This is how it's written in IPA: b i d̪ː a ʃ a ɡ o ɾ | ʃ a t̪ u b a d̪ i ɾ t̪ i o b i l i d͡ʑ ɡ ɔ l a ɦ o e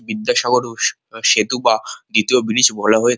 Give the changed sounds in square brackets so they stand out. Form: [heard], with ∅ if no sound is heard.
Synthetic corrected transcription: b i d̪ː a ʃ a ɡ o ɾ | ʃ [e] t̪ u b a d̪ i [∅] t̪ i o b i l i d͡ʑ [b] ɔ l a ɦ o e